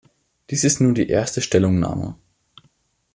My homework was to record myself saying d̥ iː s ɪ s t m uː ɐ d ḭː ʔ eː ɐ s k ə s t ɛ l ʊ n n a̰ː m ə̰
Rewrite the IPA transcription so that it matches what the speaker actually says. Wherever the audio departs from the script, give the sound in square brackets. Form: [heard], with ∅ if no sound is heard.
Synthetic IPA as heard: d̥ iː s ɪ s t [n] uː ɐ d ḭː ʔ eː ɐ s [t] ə [ʃ] t ɛ l ʊ [ŋ] n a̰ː m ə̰